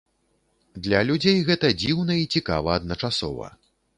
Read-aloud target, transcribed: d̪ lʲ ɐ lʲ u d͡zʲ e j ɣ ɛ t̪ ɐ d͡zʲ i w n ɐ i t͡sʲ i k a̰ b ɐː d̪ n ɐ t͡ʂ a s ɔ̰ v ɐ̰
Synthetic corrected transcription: d̪ lʲ ɐ lʲ u d͡zʲ e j ɣ ɛ t̪ ɐ d͡zʲ i w n ɐ i t͡sʲ i k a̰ v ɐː d̪ n ɐ t͡ʂ a s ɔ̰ v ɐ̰